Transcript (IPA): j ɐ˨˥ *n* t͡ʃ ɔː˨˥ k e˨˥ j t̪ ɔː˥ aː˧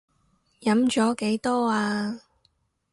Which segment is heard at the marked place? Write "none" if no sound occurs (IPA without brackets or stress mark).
m